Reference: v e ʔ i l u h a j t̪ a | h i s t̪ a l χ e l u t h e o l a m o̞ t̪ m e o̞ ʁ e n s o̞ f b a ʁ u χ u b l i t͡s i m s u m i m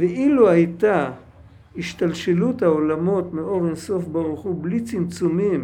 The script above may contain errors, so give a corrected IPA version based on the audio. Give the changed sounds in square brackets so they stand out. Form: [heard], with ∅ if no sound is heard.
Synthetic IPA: v e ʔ i l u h a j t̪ a | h i [ʃ] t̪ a l [ʃ] e l u t h [a] o l a m o̞ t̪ m e o̞ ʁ e n s o̞ f b a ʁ u χ u b l i t͡s i m [t͡s] u m i m